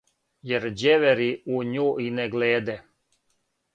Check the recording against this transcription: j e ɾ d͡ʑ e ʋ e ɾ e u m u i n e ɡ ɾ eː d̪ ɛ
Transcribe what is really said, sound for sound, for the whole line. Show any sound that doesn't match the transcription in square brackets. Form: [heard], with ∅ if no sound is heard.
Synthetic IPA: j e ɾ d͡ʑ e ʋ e ɾ [i] u [ɲ] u i n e ɡ [l] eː d̪ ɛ